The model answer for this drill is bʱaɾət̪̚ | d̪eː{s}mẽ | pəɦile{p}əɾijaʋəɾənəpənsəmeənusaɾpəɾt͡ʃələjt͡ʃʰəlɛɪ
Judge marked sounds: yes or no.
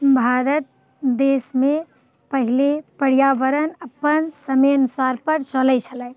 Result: yes, yes

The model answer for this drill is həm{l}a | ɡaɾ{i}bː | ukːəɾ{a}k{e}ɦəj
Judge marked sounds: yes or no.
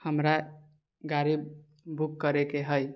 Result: no, yes, no, yes

